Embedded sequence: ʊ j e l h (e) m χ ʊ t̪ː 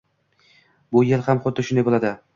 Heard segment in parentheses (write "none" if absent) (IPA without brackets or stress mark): a